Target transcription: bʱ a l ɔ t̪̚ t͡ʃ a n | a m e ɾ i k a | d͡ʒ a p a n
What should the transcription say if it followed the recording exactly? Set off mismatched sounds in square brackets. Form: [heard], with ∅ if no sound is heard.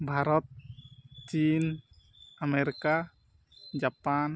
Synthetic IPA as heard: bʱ a [ɾ] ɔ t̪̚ t͡ʃ [i] n | a m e ɾ i k a | d͡ʒ a p a n